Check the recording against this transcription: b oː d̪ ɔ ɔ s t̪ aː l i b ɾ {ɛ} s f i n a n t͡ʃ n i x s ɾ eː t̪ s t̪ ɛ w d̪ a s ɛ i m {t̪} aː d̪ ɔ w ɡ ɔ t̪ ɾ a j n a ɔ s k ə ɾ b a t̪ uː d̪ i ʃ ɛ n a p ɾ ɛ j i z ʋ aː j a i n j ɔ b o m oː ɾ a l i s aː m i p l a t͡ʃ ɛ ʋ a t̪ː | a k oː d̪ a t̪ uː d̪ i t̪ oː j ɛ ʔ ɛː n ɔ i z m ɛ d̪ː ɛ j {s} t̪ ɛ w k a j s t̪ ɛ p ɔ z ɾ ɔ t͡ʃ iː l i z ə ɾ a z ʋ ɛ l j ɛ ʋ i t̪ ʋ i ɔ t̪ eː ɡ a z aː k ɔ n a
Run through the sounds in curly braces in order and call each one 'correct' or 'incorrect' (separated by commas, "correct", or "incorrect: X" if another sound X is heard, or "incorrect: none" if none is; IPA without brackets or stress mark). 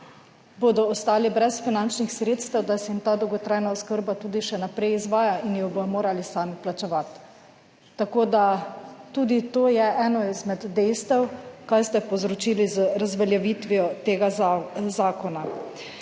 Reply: correct, correct, correct